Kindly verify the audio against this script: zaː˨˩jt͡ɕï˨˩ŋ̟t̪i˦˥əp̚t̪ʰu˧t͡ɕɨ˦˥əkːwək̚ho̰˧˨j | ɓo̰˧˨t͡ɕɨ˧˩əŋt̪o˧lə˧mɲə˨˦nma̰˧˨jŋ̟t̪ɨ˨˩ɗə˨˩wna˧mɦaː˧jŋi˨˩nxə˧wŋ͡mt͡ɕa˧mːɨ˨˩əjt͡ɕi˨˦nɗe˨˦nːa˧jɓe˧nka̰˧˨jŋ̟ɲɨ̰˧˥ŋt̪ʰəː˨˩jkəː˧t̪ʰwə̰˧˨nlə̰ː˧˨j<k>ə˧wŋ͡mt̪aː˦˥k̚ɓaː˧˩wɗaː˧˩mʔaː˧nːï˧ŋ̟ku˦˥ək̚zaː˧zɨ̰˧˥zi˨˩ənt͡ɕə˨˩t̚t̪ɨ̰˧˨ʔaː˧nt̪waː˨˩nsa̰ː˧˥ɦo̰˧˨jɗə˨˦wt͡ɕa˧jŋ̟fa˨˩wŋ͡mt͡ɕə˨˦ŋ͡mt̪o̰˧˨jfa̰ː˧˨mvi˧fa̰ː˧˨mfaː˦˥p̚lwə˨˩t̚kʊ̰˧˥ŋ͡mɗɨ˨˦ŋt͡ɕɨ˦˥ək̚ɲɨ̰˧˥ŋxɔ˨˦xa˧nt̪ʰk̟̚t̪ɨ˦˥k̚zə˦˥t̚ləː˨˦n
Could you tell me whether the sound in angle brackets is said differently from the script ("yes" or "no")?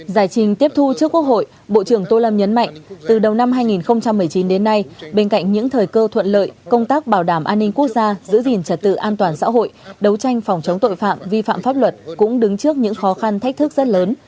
no